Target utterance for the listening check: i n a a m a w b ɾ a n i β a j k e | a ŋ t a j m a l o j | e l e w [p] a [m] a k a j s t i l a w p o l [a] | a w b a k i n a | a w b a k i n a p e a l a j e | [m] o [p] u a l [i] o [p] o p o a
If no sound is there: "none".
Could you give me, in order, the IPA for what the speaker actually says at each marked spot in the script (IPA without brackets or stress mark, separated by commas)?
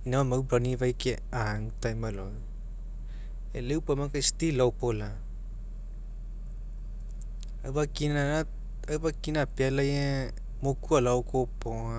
p, m, a, m, k, a, k